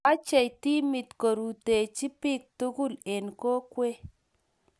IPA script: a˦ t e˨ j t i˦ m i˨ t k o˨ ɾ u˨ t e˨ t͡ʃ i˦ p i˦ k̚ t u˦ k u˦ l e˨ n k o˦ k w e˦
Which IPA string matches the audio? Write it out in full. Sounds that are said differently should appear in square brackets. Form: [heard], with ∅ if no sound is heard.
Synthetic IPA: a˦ [t͡ʃ] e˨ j t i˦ m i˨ t k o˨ ɾ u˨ t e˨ t͡ʃ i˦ p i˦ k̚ t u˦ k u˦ l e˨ n k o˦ k w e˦